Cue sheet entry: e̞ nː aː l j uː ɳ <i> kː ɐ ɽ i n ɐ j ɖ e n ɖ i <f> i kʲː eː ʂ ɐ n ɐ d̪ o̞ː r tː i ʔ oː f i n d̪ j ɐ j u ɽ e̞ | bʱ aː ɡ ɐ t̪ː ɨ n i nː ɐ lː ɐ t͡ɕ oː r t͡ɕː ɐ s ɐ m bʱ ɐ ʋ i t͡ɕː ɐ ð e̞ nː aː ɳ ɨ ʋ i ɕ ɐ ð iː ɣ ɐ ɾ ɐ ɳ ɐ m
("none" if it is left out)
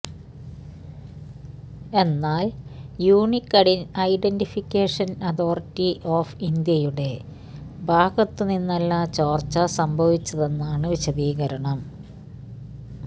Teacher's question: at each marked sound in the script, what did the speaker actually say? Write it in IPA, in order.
i, f

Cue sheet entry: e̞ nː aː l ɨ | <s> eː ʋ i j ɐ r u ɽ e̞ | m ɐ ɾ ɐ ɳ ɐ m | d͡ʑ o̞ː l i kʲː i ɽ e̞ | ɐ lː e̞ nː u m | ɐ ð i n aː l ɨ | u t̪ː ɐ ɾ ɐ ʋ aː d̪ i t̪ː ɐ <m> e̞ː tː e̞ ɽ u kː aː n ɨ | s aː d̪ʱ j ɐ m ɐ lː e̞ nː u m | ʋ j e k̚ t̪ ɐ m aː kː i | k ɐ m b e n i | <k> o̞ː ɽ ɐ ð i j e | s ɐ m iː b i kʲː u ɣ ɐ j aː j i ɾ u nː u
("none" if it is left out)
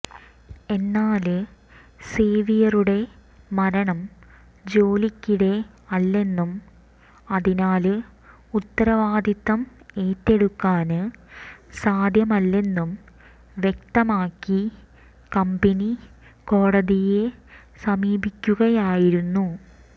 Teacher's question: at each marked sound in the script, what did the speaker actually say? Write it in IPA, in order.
s, m, k

